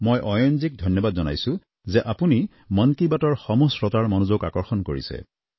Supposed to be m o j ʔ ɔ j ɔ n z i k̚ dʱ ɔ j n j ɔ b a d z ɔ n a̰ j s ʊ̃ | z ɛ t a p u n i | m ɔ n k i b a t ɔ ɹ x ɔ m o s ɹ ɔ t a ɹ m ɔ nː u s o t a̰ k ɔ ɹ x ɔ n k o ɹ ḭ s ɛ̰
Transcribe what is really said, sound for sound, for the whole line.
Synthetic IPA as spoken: m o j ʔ ɔ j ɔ n z i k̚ dʱ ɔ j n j ɔ b a d z ɔ n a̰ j s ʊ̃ | z ɛ ʔ a p u n i | m ɔ n k i b a t ɔ ɹ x ɔ m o s ɹ ɔ t a ɹ m ɔ n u z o k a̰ k ɔ ɹ x ɔ n k o ɹ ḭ s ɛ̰

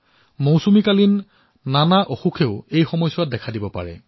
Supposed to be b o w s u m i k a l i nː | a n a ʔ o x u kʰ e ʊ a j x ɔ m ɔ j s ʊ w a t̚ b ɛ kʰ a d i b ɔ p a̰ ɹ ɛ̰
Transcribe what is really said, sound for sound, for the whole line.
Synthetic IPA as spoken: m o w s u m i k a l i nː | a n a ʔ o x u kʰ e ʊ e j x ɔ m ɔ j s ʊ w a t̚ d ɛ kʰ a d i b ɔ p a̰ ɹ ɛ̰

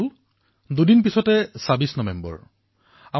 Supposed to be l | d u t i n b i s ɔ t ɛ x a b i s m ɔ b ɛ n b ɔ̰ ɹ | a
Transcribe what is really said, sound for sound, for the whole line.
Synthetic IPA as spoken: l | d u d i n p i s ɔ t ɛ s a b i s n ɔ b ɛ m b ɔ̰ ɹ | a

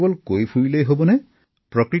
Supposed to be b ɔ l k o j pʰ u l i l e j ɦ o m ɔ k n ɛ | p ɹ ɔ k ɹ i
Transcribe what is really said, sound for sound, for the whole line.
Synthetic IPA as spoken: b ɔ l k o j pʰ u ɹ i l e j ɦ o b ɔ n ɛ | p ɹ ɔ k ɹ i

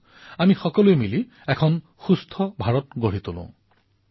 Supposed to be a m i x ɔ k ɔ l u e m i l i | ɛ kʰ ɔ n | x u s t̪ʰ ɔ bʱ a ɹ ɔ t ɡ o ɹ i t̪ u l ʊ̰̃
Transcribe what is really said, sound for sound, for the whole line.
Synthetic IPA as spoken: a m i x ɔ k ɔ l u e m i l i | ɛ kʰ ɔ n | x u s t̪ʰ ɔ bʱ a ɹ ɔ t ɡ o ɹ i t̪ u l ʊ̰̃

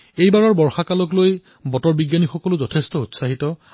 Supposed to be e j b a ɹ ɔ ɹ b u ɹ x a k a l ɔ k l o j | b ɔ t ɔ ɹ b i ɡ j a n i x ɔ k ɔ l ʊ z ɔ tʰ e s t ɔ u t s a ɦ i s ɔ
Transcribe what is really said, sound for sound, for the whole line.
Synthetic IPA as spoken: e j b a ɹ ɔ ɹ b ɔ ɹ x a k a l ɔ k l o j | b ɔ t ɔ ɹ b i ɡ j a n i x ɔ k ɔ l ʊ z ɔ tʰ e s t ɔ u t s a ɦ i t ɔ

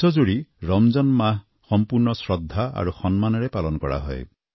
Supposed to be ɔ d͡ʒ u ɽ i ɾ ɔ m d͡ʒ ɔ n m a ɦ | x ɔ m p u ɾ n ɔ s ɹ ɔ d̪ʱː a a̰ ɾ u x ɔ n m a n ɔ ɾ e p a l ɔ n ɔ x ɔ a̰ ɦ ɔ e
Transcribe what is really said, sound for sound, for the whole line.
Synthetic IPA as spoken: ɔ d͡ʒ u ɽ i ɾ ɔ m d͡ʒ ɔ n m a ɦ | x ɔ m p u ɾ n ɔ s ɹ ɔ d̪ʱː a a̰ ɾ u x ɔ n m a n ɔ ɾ e p a l ɔ n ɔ k ɔ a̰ ɦ ɔ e

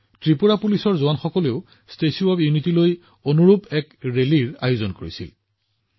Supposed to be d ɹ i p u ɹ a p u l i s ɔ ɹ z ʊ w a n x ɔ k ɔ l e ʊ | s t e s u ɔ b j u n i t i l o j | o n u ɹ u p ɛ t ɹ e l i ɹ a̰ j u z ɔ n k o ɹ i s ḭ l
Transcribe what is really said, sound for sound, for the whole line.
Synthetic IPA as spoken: t ɹ i p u ɹ a p u l i s ɔ ɹ z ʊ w a n x ɔ k ɔ l e ʊ | s t e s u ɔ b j u n i t i l o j | o n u ɹ u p ɛ k ɹ e l i ɹ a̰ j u z ɔ n k o ɹ i s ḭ l

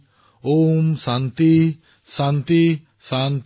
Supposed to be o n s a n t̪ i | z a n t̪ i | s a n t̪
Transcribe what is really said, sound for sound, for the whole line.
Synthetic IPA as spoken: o m s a n t̪ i | s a n t̪ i | s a n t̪

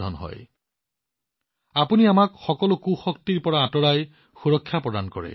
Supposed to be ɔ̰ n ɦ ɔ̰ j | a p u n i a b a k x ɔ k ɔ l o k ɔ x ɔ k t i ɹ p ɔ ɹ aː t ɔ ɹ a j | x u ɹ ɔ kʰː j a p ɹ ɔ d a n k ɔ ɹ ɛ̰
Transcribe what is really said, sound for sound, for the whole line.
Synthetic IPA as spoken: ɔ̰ n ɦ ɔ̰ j | a p u n i a m a k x ɔ k ɔ l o k u x ɔ k t i ɹ p ɔ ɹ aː t ɔ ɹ a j | x u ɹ ɔ kʰː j a p ɹ ɔ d a n k ɔ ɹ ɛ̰

